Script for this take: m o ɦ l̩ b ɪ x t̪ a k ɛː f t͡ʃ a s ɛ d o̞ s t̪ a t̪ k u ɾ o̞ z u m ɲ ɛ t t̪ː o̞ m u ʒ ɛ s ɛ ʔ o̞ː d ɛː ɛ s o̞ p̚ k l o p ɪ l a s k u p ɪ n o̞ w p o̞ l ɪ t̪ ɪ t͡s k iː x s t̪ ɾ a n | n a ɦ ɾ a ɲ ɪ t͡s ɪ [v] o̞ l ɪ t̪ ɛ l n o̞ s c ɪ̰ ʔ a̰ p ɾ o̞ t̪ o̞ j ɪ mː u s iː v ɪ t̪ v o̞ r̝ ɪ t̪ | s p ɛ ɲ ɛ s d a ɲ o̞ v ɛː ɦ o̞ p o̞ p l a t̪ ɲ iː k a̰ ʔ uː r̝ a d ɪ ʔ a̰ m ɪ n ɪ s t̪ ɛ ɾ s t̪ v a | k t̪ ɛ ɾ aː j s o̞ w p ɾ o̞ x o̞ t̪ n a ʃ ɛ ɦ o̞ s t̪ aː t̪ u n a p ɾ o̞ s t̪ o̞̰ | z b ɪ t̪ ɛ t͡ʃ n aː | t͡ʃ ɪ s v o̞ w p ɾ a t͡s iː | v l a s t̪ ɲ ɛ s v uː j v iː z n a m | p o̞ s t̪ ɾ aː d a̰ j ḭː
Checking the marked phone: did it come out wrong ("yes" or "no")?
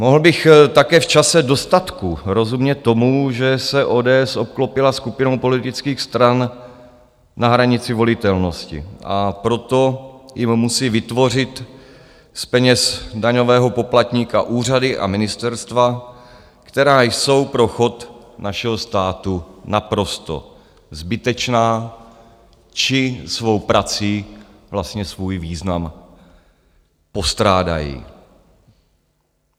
no